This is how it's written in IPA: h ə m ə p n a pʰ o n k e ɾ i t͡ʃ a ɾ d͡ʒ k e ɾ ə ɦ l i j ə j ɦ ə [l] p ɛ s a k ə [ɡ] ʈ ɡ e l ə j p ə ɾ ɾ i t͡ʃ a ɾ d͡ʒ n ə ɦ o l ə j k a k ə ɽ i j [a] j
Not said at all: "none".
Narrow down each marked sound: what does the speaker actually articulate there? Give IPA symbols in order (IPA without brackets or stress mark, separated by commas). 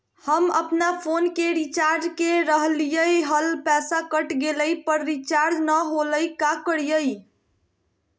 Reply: l, none, ə